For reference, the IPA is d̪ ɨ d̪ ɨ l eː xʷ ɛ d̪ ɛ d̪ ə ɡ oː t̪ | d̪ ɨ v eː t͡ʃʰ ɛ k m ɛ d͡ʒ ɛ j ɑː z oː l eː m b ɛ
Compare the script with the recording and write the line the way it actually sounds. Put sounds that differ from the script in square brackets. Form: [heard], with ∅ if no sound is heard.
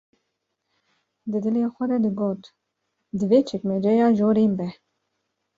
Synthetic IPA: d̪ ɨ d̪ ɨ l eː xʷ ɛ d̪ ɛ d̪ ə ɡ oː t̪ | d̪ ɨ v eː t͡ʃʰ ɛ k m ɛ d͡ʒ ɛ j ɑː [ʒ] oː [ɾ] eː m b ɛ